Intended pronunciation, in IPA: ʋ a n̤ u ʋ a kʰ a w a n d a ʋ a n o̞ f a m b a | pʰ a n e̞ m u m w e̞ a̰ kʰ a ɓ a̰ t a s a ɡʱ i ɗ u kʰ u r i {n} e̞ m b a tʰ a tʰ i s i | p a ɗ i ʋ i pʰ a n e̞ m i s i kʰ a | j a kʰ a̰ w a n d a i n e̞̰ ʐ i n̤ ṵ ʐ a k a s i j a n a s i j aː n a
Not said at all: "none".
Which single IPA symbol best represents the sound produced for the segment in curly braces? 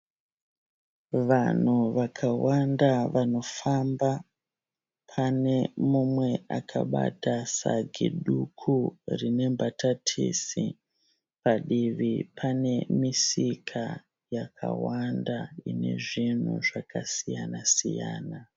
n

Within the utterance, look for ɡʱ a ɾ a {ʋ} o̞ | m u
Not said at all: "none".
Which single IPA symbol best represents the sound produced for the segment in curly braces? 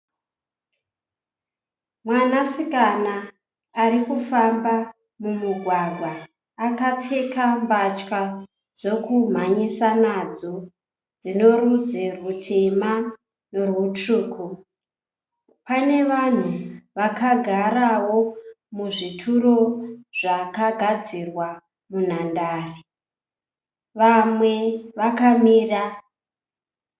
w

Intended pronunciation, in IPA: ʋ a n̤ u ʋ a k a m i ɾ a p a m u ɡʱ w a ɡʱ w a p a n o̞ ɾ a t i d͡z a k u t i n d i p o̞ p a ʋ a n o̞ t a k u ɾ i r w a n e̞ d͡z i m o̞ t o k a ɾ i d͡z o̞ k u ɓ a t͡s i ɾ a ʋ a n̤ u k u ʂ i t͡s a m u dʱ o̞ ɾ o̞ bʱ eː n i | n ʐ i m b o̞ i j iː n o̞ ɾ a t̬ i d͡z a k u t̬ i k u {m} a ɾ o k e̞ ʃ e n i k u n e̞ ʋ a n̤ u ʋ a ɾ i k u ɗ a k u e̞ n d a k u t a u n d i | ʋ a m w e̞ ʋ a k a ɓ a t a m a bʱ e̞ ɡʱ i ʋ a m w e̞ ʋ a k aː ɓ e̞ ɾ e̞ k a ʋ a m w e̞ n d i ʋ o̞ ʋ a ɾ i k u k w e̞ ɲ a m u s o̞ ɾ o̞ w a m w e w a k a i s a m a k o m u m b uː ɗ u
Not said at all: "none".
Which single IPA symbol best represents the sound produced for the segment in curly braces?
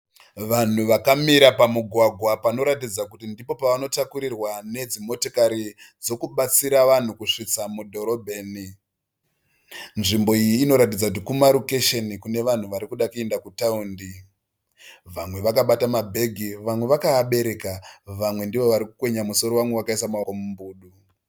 m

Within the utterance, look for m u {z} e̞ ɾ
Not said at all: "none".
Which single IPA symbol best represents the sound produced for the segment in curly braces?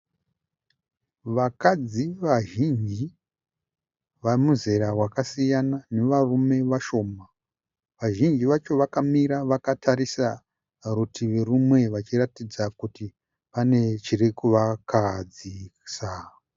z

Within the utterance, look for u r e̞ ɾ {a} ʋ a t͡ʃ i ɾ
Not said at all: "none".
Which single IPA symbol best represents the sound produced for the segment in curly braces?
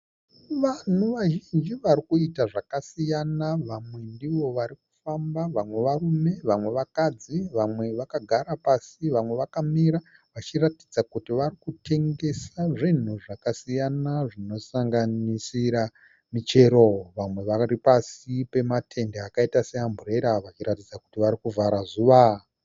a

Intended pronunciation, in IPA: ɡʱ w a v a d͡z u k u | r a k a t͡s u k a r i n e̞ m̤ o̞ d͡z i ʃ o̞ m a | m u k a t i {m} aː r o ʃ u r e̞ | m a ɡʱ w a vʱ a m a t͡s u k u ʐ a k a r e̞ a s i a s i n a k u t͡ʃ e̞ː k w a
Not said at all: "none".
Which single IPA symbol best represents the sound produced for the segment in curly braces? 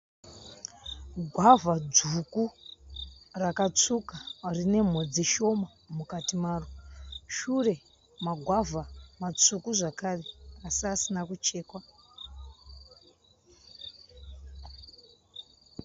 m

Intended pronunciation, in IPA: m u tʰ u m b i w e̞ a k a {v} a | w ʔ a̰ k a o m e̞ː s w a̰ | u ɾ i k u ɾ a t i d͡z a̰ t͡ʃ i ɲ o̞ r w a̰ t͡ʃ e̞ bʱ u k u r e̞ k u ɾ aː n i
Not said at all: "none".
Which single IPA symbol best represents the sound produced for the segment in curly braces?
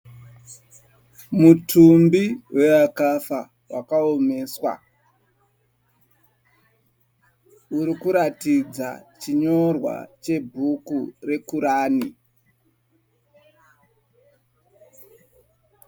f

